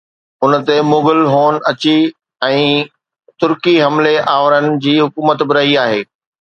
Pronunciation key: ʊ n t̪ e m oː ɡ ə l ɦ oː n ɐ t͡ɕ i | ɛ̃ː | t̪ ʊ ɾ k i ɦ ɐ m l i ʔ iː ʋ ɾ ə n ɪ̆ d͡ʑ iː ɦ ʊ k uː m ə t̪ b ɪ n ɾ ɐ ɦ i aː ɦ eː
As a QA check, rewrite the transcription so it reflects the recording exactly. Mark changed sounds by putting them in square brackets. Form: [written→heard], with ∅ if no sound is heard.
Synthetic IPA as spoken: ʊ n t̪ e m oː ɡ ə l ɦ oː n ɐ t͡ɕ i | ɛ̃ː | t̪ ʊ ɾ k i ɦ ɐ m l [i→e] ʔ [iː→aː] ʋ ɾ ə n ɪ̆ d͡ʑ iː ɦ ʊ k uː m ə t̪ b ɪ [n→∅] ɾ ɐ ɦ i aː ɦ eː